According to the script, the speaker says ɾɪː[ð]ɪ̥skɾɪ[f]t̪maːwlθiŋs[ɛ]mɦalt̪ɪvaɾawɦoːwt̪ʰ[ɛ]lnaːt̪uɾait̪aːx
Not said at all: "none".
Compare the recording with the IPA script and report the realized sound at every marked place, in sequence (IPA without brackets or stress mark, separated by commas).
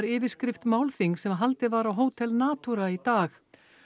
v, f, ɛ, ɛ